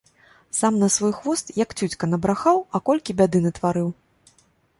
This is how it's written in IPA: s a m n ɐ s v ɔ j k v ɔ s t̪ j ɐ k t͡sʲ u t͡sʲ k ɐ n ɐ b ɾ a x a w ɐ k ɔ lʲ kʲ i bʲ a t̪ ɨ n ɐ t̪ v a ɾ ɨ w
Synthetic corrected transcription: s a m n ɐ s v ɔ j x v ɔ s t̪ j ɐ k t͡sʲ u t͡sʲ k ɐ n ɐ b ɾ a x a w ɐ k ɔ lʲ kʲ i bʲ a d̪ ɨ n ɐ t̪ v a ɾ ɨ w